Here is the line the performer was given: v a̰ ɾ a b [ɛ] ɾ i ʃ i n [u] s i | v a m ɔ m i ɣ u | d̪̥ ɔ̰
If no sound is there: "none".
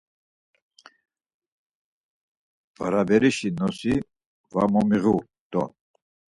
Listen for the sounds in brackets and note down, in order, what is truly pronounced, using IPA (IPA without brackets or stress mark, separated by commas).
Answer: ɛ, ɔ